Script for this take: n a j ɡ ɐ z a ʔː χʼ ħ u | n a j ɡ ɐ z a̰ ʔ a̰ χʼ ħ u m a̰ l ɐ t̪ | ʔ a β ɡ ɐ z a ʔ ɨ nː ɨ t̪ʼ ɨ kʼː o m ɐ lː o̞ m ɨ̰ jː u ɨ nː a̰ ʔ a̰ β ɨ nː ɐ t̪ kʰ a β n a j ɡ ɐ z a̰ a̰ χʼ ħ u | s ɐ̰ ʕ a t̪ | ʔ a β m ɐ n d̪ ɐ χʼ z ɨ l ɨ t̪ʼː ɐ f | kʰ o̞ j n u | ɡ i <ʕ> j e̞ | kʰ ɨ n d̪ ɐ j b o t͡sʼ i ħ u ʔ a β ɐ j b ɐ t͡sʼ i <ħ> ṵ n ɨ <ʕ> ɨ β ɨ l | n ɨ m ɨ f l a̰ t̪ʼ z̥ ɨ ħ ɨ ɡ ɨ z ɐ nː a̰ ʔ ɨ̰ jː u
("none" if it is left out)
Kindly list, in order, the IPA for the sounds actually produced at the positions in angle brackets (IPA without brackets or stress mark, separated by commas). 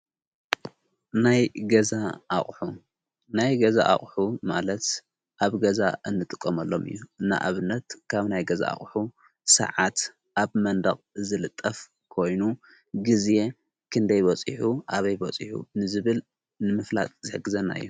z, ħ, z